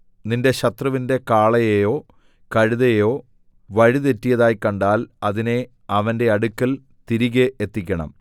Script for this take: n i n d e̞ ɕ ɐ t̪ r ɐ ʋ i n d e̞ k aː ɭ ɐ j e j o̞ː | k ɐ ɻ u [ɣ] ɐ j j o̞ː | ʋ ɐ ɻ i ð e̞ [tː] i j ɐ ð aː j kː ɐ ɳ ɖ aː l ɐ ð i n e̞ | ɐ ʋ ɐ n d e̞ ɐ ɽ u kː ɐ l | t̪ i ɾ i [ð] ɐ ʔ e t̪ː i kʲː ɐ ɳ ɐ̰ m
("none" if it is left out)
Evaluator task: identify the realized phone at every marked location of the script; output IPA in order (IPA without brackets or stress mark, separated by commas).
ð, tː, ɣ